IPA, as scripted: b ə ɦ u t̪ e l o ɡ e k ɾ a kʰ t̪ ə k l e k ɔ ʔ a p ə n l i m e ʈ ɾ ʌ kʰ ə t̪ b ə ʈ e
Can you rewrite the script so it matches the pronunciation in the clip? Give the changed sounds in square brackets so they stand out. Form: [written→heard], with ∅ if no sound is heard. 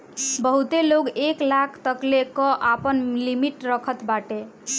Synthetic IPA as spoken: b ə ɦ u t̪ e l o ɡ e k [ɾ→l] a kʰ t̪ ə k l e k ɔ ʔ a p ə n l i m [e→i] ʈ ɾ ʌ kʰ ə t̪ b [ə→a] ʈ e